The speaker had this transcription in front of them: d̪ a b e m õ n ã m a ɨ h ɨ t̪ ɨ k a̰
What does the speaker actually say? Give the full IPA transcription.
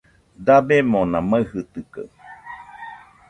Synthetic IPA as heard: d̪ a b e m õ n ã m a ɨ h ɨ t̪ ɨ k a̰